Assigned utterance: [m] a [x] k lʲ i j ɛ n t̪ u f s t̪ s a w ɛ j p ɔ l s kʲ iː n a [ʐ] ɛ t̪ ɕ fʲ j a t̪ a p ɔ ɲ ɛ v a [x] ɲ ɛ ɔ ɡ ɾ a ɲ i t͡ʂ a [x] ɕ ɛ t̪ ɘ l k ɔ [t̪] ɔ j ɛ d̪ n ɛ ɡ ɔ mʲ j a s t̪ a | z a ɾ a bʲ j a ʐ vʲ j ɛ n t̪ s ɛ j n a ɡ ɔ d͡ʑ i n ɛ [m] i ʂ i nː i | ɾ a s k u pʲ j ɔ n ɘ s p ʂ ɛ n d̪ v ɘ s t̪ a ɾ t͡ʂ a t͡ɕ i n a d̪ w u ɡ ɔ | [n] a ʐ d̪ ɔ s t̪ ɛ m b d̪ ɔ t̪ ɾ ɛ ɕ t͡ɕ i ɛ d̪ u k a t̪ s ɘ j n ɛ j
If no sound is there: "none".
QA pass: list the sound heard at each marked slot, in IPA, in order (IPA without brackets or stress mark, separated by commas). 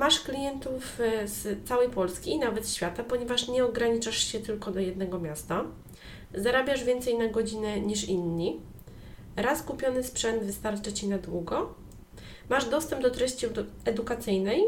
m, ʂ, v, ʂ, ʂ, d̪, ɲ, m